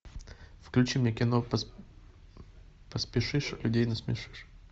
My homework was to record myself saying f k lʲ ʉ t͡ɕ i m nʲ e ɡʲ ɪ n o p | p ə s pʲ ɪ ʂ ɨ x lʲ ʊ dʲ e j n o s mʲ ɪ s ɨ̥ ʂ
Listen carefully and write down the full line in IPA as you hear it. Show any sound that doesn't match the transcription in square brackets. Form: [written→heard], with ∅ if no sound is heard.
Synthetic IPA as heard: f k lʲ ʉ t͡ɕ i m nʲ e [ɡʲ→kʲ] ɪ n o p | p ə s pʲ ɪ ʂ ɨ [x→ʂ] lʲ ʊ dʲ e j n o s mʲ ɪ [s→ʂ] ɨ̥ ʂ